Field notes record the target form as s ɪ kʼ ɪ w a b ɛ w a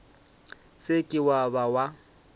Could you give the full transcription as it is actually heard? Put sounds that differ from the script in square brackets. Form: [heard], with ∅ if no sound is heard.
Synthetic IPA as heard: s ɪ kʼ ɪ w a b [a] w a